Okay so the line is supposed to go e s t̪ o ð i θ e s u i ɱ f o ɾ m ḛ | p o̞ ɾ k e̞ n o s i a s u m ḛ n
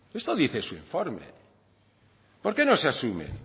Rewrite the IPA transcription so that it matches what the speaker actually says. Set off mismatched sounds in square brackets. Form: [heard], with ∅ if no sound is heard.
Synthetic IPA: e s t̪ o ð i θ e s u i ɱ f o ɾ m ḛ | p o̞ ɾ k e̞ n o s [e] a s u m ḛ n